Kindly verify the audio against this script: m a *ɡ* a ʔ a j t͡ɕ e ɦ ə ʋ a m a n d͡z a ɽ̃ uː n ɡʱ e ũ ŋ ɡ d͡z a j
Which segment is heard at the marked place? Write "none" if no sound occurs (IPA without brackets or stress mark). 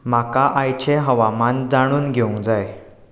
k